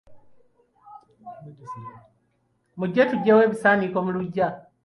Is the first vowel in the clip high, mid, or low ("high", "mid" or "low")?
high